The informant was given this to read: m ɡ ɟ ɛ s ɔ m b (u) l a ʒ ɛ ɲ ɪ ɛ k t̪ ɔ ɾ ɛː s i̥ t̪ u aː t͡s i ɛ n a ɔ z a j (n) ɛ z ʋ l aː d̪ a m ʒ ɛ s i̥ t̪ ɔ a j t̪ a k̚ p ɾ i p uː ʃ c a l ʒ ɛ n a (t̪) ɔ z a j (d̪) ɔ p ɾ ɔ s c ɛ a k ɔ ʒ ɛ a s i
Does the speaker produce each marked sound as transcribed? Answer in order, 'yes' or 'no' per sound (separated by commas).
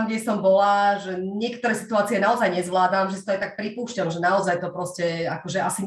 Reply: no, no, no, no